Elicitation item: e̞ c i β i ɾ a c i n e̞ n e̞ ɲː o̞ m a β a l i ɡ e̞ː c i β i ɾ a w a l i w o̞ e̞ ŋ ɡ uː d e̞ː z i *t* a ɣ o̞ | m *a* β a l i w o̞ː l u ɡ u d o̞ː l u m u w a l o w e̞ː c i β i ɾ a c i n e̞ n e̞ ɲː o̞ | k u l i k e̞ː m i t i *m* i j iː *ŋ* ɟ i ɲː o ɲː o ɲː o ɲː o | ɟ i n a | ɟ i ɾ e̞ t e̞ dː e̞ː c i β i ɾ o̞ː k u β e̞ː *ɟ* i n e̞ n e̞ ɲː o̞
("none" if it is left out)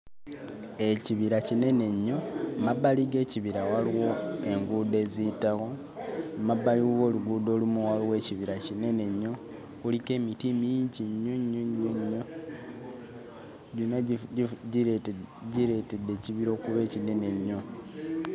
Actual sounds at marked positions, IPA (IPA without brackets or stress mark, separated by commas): t, a, m, ɲ, c